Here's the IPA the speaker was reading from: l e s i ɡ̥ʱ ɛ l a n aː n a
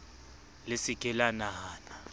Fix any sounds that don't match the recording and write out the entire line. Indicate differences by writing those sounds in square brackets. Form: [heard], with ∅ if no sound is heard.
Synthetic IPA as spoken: l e s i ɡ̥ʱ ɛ l a n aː n a